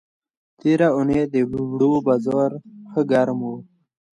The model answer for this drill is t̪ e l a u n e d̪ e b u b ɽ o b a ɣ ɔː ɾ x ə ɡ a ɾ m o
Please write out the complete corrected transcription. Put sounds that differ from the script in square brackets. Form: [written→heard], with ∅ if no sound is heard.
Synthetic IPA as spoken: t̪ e [l→ɾ] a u n e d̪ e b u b ɽ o b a [ɣ→z] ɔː ɾ x ə ɡ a ɾ m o